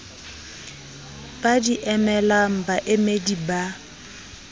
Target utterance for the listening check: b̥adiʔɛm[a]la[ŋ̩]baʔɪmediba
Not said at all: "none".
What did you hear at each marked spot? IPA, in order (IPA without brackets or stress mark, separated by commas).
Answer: ɛ, m̩